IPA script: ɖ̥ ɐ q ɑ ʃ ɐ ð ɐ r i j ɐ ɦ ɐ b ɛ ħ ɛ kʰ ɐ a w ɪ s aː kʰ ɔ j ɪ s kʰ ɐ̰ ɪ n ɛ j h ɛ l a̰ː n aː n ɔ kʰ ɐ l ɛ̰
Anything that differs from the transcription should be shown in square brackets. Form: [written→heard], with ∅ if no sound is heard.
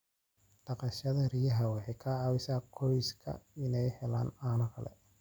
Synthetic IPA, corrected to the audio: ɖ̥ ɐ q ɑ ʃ ɐ ð ɐ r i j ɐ ɦ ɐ [b→w] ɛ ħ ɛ kʰ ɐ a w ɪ s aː kʰ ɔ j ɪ s kʰ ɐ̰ ɪ n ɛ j h ɛ l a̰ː n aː n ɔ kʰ ɐ l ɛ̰